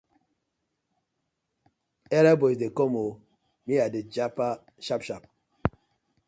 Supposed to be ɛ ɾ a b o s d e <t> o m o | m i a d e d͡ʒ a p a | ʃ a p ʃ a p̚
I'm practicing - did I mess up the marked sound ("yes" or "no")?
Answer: yes